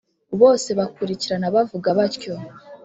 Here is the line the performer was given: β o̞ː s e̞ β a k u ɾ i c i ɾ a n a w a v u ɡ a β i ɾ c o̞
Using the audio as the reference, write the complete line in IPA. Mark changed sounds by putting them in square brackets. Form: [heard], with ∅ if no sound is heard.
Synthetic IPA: β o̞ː s e̞ β a k u ɾ i c i ɾ a n a [β] a v u ɡ a β [a] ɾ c o̞